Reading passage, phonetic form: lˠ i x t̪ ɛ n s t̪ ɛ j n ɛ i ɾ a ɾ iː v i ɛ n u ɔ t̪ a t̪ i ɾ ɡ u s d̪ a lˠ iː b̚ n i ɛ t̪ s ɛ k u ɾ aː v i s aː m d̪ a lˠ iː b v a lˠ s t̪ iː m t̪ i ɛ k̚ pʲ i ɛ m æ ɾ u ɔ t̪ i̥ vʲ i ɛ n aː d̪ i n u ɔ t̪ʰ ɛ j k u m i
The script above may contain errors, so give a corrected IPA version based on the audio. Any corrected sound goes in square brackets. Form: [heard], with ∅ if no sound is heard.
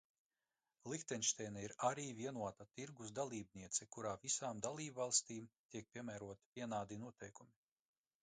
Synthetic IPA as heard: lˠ i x t̪ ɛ n [ʃ] t̪ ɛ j n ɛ i ɾ a ɾ iː v i ɛ n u ɔ t̪ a t̪ i ɾ ɡ u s d̪ a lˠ iː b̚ n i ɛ t̪ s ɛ k u ɾ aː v i s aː m d̪ a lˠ iː b v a lˠ s t̪ iː m t̪ i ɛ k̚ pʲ i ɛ m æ ɾ u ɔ t̪ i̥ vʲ i ɛ n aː d̪ i n u ɔ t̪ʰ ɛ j k u m i